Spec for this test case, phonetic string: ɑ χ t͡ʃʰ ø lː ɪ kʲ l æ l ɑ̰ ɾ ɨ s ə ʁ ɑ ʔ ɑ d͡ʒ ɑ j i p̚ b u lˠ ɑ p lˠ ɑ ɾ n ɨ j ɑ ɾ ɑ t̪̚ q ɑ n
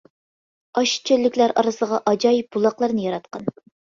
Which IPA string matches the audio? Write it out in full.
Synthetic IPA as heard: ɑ ʃ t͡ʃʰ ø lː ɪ kʲ l æ ɾ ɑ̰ ɾ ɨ s ə ʁ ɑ ʔ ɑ d͡ʒ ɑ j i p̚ b u lˠ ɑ q lˠ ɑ ɾ n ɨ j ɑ ɾ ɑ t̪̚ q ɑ n